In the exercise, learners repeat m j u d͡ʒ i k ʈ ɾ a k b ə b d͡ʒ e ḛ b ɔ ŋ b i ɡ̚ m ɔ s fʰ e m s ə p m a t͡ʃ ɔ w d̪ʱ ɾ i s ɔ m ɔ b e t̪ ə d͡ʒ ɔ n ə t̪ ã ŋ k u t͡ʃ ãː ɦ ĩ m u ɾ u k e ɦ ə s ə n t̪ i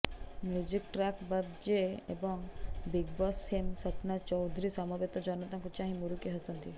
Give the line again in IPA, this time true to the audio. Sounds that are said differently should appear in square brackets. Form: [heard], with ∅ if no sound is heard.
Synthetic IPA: m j u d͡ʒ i k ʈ ɾ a k b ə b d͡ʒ e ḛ b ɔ ŋ b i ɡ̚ [b] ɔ s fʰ e m s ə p [n] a t͡ʃ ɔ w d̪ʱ ɾ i s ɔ m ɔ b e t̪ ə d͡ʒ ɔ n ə t̪ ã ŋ k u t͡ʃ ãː ɦ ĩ m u ɾ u k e ɦ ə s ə n t̪ i